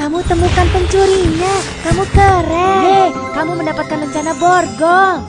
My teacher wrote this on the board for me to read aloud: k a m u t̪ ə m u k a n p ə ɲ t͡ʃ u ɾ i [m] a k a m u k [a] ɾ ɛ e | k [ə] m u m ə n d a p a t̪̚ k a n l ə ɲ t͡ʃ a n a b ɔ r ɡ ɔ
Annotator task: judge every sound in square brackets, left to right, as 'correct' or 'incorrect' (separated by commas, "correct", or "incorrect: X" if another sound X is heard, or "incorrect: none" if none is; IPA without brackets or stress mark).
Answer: incorrect: ɲ, incorrect: ə, incorrect: a